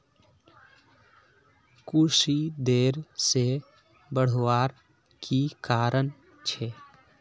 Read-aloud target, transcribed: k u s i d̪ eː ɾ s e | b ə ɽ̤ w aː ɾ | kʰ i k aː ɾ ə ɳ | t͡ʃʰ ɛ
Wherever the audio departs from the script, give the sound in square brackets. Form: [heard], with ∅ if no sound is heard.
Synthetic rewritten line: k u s i d̪ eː ɾ s e | b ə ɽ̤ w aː ɾ | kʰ i k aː ɾ ə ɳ | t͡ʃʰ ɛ